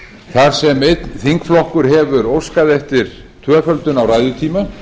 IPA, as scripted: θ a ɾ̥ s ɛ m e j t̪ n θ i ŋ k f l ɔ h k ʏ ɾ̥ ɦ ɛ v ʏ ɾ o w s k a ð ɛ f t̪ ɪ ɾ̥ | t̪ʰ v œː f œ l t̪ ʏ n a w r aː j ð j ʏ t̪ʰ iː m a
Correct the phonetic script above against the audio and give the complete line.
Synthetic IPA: θ a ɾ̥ s ɛ m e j t̪ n θ i ŋ k f l ɔ h k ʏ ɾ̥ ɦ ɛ v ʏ ɾ o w s k a ð ɛ f t̪ ɪ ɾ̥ | t̪ʰ v œː f œ l t̪ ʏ n a w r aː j ð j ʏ t̪ʰ iː m a